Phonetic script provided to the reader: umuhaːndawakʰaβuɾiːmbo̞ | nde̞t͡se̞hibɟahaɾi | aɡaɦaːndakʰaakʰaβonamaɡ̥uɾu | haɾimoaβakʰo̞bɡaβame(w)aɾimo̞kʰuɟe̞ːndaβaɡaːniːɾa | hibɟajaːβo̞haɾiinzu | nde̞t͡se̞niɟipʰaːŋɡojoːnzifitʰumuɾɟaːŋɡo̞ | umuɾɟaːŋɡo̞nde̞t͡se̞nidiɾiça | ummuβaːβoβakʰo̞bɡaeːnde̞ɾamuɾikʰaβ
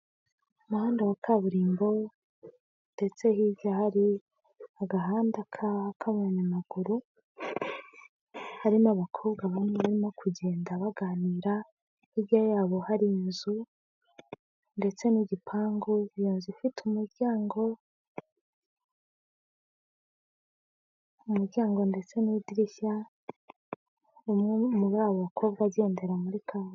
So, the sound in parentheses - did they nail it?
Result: no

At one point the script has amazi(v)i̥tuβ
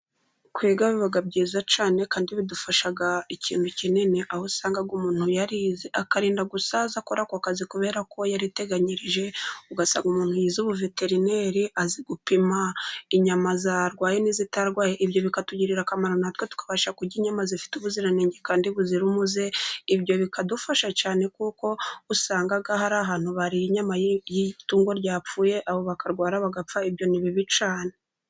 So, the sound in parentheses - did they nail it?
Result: no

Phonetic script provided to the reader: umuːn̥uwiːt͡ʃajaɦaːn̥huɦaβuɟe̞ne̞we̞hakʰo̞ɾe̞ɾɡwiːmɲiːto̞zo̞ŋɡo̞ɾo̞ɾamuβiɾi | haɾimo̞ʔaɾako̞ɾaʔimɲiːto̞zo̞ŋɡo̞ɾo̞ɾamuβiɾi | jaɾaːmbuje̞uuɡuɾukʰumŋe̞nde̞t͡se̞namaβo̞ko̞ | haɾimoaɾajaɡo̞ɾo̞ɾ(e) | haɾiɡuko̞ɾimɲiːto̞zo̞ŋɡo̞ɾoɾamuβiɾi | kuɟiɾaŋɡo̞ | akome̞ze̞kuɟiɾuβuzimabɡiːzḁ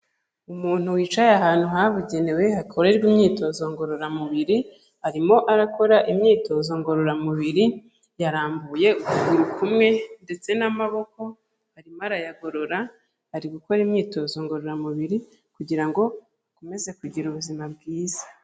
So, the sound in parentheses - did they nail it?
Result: no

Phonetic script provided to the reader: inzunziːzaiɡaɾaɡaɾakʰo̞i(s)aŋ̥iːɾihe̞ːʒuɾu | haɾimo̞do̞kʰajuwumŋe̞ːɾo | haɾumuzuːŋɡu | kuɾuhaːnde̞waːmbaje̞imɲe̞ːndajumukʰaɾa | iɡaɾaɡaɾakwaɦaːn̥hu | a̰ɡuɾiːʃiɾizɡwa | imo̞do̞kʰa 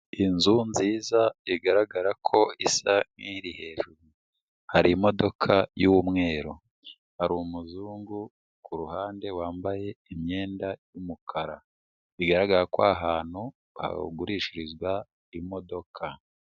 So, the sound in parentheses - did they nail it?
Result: yes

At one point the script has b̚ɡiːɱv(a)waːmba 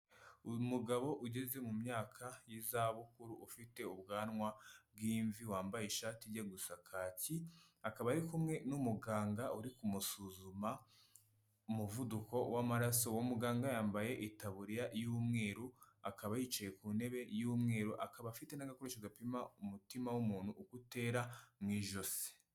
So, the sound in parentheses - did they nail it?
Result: no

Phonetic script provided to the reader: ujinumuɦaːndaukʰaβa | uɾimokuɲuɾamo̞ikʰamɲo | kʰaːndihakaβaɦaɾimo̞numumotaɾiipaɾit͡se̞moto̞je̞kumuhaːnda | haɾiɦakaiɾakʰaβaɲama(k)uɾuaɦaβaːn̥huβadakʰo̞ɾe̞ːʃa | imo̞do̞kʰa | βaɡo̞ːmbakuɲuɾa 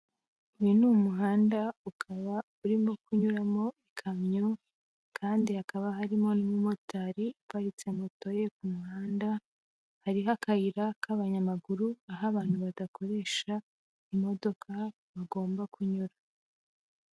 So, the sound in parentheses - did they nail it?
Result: no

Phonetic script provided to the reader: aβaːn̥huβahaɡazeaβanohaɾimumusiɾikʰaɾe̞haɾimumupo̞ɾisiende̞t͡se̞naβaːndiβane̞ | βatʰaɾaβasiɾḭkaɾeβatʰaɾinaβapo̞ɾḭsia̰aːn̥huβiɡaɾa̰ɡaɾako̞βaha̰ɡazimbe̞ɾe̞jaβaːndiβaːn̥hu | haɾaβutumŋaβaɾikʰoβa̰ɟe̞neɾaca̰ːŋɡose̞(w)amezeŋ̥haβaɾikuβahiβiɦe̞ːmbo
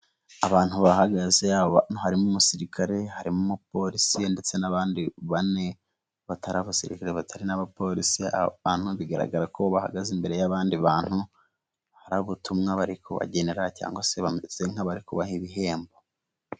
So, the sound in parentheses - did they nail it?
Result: no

